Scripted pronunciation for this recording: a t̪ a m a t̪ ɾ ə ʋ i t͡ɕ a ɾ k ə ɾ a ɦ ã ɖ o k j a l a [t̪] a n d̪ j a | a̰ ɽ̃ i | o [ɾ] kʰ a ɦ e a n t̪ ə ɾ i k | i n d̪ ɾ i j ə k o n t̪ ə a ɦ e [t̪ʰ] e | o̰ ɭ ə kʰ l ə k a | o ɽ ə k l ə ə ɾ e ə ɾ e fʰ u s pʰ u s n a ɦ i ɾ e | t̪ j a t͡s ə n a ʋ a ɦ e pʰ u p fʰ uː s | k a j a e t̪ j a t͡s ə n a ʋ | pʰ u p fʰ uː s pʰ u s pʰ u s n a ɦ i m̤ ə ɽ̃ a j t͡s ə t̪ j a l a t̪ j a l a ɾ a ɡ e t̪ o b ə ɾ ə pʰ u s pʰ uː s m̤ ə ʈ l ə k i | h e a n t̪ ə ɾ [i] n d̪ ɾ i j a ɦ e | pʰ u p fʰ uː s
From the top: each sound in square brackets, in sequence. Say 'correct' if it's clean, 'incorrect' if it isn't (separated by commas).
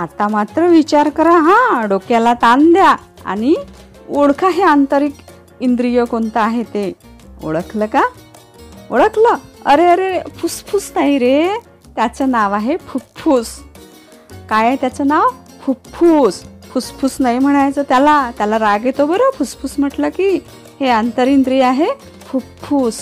correct, incorrect, incorrect, correct